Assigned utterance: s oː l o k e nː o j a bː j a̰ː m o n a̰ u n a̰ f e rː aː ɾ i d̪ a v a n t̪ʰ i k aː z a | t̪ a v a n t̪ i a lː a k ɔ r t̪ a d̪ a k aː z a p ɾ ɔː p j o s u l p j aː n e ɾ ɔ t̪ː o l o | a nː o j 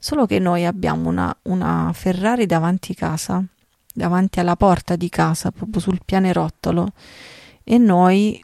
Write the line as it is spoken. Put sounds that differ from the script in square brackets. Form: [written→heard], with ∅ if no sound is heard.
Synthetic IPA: s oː l o k e nː o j a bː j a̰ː m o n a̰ u n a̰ f e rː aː ɾ i d̪ a v a n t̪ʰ i k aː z a | [t̪→d̪] a v a n t̪ i a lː a [k→p] ɔ r t̪ a d̪ [a→i] k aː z a p ɾ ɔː p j o s u l p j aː n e ɾ ɔ t̪ː o l o | [a→e] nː o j